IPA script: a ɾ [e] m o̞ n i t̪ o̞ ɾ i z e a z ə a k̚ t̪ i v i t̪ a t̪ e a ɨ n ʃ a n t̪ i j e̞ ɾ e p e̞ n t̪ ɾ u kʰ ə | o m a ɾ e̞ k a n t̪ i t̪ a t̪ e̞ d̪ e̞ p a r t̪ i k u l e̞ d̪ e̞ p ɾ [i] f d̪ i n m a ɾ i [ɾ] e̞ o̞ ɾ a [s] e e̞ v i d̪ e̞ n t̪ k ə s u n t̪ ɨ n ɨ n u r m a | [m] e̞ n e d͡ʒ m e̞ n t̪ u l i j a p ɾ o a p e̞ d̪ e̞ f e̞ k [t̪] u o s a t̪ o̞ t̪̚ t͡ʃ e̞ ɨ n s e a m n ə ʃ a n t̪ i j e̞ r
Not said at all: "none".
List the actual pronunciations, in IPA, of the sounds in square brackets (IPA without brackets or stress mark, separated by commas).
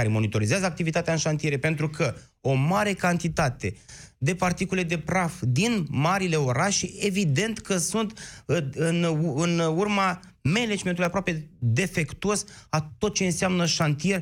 e, a, l, ʃ, m, t̪